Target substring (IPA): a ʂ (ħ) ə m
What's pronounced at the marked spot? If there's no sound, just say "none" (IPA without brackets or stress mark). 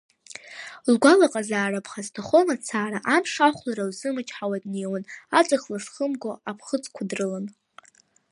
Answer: χ